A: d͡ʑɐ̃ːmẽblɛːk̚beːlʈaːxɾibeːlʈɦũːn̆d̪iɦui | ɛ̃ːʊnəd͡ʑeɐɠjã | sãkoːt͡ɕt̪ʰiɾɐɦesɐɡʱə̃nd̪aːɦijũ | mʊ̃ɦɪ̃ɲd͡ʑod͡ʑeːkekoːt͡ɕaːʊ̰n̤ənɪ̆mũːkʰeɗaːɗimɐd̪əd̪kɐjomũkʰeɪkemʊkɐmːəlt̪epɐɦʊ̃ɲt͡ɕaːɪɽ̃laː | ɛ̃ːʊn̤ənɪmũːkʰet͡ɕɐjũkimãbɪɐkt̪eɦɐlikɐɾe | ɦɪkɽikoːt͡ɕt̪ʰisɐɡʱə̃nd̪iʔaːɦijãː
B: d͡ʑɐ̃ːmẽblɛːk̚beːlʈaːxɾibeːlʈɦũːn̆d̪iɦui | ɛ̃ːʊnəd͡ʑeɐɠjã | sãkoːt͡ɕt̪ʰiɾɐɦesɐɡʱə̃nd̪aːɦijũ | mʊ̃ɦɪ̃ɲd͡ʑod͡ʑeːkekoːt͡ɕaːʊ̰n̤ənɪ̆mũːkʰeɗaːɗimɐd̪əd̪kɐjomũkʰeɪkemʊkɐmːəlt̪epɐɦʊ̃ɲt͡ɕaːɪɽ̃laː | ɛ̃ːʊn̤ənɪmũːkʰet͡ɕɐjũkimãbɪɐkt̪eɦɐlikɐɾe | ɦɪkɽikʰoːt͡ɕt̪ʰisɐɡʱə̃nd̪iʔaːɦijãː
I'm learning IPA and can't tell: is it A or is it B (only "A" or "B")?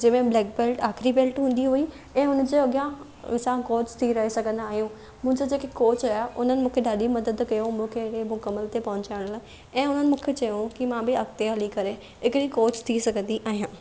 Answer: A